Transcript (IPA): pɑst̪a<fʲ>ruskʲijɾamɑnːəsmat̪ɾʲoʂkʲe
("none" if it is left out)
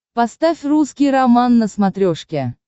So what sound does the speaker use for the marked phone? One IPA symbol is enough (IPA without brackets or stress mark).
fʲ